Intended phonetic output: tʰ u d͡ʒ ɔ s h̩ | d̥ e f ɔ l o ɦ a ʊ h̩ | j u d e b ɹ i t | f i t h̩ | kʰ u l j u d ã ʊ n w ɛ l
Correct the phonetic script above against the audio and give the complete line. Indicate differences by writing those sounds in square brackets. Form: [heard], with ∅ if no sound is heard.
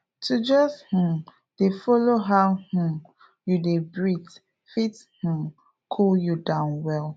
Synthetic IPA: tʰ u d͡ʒ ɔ s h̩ | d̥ e f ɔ l o ɦ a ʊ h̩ | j u d e b ɹ i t | f i t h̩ | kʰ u l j u d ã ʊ n w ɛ l